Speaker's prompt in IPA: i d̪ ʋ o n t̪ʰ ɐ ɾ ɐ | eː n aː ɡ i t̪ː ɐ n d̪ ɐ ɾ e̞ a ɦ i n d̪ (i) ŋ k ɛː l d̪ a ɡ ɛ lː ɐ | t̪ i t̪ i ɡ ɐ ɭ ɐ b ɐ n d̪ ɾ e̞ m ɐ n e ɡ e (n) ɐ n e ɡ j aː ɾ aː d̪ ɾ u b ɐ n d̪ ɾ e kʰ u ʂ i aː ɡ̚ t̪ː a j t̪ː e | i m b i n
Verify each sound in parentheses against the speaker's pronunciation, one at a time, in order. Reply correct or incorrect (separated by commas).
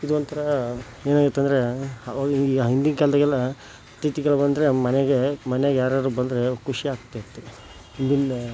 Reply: correct, incorrect